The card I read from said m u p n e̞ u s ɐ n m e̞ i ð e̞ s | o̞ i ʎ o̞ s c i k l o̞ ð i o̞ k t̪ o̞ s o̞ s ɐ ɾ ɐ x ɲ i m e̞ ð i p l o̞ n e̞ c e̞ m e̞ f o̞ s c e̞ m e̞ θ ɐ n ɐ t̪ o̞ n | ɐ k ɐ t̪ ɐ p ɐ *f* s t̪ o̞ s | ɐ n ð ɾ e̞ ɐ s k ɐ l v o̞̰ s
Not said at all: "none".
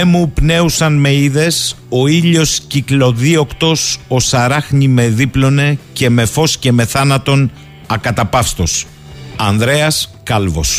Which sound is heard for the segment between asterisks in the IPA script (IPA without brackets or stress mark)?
f